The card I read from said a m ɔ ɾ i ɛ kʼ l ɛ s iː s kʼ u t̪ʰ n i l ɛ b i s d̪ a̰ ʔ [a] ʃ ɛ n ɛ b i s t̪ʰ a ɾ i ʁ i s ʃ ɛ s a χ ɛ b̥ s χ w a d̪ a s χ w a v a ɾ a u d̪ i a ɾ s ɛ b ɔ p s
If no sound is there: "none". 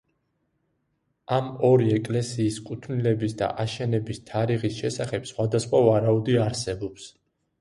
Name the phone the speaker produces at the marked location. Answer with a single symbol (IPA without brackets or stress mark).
a